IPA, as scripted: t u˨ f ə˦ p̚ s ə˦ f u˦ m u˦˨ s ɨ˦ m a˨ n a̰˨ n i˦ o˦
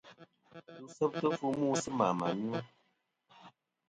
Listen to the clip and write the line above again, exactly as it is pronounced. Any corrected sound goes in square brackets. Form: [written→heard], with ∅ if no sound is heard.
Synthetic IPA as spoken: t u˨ [f→s] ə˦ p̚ [s→t] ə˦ f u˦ m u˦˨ s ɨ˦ m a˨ [n→m] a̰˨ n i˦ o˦